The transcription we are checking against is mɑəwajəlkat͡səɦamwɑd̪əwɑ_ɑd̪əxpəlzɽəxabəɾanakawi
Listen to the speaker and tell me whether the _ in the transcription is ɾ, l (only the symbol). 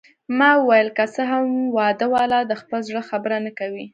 l